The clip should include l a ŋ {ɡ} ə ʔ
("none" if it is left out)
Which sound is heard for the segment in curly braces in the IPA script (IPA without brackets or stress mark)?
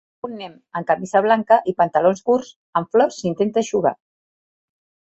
k